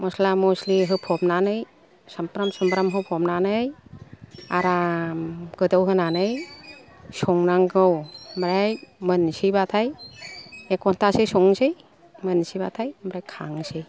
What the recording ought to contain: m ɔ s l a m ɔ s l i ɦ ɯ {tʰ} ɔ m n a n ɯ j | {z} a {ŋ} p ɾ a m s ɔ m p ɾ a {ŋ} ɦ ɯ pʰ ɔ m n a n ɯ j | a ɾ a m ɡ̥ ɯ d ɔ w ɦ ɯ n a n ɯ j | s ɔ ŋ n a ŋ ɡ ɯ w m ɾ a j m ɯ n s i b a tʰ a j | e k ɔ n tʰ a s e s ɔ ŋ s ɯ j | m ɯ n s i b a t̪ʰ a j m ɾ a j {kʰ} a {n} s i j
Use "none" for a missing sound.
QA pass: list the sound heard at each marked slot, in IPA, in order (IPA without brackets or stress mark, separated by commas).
pʰ, s, m, m, kʰ, ŋ